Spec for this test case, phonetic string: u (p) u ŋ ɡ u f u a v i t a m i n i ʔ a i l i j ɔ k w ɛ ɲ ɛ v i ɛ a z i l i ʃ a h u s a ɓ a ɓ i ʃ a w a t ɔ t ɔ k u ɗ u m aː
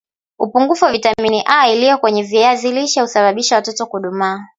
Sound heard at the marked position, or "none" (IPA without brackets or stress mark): p